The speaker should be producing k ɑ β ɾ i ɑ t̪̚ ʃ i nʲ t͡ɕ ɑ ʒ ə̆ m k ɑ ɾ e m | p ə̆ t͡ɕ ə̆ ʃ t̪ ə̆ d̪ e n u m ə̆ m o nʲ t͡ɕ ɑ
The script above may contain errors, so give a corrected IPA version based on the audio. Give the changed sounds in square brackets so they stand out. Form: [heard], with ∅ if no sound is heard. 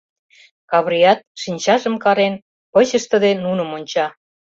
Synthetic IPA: k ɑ β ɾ i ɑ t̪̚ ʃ i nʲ t͡ɕ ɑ ʒ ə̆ m k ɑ ɾ e [n] | p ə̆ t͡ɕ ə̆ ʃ t̪ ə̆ d̪ e n u [n] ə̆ m o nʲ t͡ɕ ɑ